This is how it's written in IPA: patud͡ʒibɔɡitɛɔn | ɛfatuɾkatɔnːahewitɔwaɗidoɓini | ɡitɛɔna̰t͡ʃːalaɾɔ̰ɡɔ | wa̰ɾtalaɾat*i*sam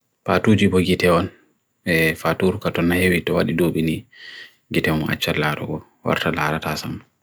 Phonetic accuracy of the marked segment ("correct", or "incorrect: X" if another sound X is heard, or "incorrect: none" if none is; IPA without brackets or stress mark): incorrect: a